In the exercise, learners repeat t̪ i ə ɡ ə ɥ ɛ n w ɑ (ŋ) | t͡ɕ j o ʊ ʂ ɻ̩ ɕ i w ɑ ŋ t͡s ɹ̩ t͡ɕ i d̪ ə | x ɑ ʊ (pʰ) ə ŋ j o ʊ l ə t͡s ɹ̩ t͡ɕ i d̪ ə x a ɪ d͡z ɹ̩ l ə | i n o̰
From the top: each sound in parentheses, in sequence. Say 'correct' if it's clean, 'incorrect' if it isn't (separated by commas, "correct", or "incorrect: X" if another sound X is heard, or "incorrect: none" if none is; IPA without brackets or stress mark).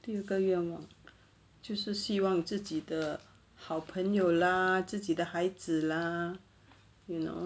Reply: correct, correct